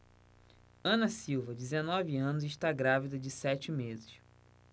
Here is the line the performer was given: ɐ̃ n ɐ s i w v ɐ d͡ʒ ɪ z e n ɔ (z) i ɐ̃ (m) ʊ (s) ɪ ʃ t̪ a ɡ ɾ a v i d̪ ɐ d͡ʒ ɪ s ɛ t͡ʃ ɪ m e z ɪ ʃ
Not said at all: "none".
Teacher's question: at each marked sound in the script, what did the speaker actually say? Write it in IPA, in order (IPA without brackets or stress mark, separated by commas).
v, n, z